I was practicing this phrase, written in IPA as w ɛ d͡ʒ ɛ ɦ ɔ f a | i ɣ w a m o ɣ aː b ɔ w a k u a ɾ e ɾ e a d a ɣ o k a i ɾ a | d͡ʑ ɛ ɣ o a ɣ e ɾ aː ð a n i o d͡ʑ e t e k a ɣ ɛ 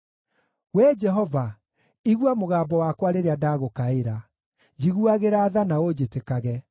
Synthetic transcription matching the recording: w ɛ d͡ʒ ɛ ɦ ɔ v a | i ɣ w a m o ɣ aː b ɔ w a k w a ɾ e ɾ e a d a ɣ o k a e ɾ a | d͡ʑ i ɣ u a ɣ e ɾ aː ð a n a o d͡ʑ e t e k a ɣ ɛ